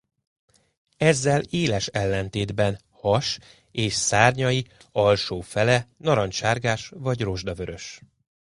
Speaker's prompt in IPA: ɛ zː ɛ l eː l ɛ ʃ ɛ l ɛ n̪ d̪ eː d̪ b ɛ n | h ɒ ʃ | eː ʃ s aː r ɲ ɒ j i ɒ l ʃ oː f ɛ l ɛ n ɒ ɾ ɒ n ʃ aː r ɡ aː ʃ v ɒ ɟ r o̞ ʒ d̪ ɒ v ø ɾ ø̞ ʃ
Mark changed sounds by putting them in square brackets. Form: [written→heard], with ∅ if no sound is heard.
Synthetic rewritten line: ɛ zː ɛ l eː l ɛ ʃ ɛ [l→lː] ɛ n̪ [d̪→t̪] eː d̪ b ɛ n | h ɒ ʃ | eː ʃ s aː r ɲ ɒ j i ɒ l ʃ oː f ɛ l ɛ n ɒ ɾ ɒ n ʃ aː r ɡ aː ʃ v ɒ ɟ r o̞ ʒ d̪ ɒ v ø ɾ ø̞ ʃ

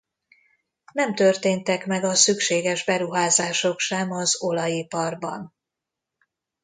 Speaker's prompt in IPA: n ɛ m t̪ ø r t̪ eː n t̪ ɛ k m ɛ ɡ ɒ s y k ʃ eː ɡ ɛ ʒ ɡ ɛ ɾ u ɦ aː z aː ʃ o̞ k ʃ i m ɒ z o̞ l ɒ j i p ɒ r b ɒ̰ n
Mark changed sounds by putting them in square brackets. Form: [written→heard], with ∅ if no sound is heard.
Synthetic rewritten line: n ɛ m t̪ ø r t̪ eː n t̪ ɛ k m ɛ ɡ ɒ s y k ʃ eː ɡ ɛ ʒ [ɡ→b] ɛ ɾ u ɦ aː z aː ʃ o̞ k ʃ [i→ɛ] m ɒ z o̞ l ɒ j i p ɒ r b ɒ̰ n

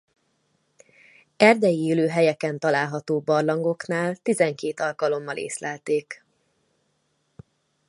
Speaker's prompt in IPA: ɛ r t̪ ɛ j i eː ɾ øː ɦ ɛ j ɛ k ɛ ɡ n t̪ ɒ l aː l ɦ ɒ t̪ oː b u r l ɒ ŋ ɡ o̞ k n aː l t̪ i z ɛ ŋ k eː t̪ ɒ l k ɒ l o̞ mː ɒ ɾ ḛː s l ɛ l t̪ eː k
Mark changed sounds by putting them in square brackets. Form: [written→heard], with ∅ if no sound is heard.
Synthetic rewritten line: ɛ r [t̪→d̪] ɛ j i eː [ɾ→l] øː ɦ ɛ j ɛ k ɛ [ɡ→∅] n t̪ ɒ l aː l ɦ ɒ t̪ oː b [u→ɒ] r l ɒ ŋ ɡ o̞ k n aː l t̪ i z ɛ ŋ k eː t̪ ɒ l k ɒ l o̞ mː ɒ [ɾ→l] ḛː s l ɛ l t̪ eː k

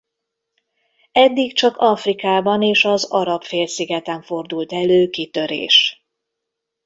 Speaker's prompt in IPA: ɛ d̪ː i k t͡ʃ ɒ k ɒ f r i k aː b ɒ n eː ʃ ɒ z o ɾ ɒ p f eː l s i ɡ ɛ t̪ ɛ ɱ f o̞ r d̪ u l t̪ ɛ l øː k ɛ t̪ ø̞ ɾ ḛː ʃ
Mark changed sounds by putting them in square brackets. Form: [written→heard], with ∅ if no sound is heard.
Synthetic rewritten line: ɛ d̪ː i k t͡ʃ ɒ k ɒ f r i k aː b ɒ n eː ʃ ɒ z [o→ɒ] ɾ ɒ p f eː l s i ɡ ɛ t̪ ɛ ɱ f o̞ r d̪ u l t̪ ɛ l øː k [ɛ→i] t̪ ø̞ ɾ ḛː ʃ

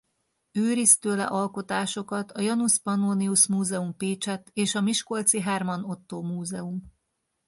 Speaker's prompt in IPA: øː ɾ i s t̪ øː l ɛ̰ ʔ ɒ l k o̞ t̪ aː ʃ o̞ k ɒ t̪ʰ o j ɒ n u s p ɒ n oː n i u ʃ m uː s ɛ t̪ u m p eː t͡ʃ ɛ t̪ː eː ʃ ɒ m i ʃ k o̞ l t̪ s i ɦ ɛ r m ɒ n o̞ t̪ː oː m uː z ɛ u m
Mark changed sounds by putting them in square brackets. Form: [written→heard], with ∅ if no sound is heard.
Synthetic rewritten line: øː ɾ i s t̪ øː l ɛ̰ ʔ ɒ l k o̞ t̪ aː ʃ o̞ k ɒ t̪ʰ [o→ɒ] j ɒ n u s p ɒ n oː n i u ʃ m uː [s→z] ɛ [t̪→∅] u m p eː t͡ʃ ɛ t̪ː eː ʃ ɒ m i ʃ k o̞ l t̪ s i ɦ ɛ r m ɒ n o̞ t̪ː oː m uː z ɛ u m

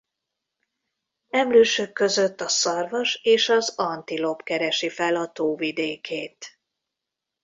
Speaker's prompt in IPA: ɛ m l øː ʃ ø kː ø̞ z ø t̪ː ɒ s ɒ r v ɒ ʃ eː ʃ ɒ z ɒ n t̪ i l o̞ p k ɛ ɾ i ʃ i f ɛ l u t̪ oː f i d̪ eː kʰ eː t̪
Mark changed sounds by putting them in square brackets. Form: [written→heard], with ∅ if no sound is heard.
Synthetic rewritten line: ɛ m l øː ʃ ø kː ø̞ z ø t̪ː ɒ s ɒ r v ɒ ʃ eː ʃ ɒ z ɒ n t̪ i l o̞ p k ɛ ɾ [i→ɛ] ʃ i f ɛ l [u→ɒ] t̪ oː [f→v] i d̪ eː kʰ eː t̪

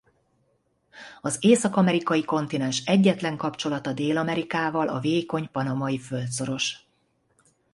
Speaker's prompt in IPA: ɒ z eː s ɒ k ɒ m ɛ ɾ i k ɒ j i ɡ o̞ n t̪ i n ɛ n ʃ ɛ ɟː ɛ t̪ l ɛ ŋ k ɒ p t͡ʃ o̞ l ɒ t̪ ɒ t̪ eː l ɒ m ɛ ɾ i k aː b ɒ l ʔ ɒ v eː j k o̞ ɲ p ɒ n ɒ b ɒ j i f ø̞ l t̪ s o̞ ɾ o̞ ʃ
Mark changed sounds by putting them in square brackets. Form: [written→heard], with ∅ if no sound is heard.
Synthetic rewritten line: ɒ z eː s ɒ k ɒ m ɛ ɾ i k ɒ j i [ɡ→k] o̞ n t̪ i n ɛ n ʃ ɛ ɟː ɛ t̪ l ɛ ŋ k ɒ p t͡ʃ o̞ l ɒ t̪ ɒ [t̪→d̪] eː l ɒ m ɛ ɾ i k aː [b→v] ɒ l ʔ ɒ v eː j k o̞ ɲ p ɒ n ɒ [b→m] ɒ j i f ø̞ l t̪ s o̞ ɾ o̞ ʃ

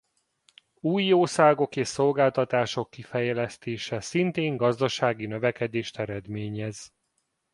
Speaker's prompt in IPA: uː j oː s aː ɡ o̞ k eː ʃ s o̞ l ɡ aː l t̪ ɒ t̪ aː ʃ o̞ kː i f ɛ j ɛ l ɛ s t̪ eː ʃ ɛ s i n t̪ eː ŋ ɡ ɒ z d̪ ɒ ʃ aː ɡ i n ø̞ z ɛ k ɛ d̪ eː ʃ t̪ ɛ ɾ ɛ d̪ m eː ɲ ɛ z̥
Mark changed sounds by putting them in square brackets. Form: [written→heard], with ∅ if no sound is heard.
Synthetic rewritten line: uː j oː s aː ɡ o̞ k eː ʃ s o̞ l ɡ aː l t̪ ɒ t̪ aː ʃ o̞ kː i f ɛ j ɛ l ɛ s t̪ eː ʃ ɛ s i n t̪ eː ŋ ɡ ɒ z d̪ ɒ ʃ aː ɡ i n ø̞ [z→v] ɛ k ɛ d̪ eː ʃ t̪ ɛ ɾ ɛ d̪ m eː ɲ ɛ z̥

